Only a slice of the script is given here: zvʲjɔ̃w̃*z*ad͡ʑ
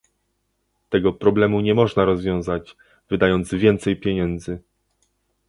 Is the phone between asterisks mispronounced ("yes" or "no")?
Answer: no